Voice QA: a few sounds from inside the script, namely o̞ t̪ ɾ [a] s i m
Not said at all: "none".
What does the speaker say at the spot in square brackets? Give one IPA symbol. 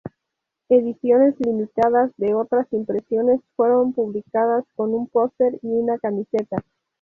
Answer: a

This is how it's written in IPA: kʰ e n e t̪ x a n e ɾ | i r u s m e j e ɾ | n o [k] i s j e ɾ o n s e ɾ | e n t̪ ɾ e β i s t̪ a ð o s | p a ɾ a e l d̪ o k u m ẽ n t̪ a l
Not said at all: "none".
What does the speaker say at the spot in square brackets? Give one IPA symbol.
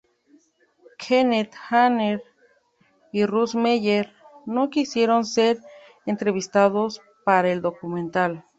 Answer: k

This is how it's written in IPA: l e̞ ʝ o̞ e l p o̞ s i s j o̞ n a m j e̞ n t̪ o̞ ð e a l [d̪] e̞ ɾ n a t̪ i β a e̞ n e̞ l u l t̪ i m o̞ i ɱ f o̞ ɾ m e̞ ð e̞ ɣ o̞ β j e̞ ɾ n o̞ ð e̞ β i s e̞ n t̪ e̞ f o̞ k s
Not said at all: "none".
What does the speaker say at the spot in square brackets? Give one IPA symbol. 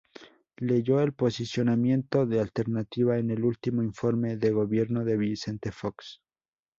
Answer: t̪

